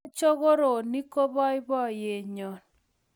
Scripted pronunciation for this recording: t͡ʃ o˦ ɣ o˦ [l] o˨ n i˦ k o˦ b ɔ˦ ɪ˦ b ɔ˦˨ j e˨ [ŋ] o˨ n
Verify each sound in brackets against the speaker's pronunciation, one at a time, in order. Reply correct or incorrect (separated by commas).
incorrect, incorrect